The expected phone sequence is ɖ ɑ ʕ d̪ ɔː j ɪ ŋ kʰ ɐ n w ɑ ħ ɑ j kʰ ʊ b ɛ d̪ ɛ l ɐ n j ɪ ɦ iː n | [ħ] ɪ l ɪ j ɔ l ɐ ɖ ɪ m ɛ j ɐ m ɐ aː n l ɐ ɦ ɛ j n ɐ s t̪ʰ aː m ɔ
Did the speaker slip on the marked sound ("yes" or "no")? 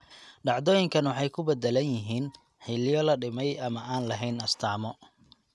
no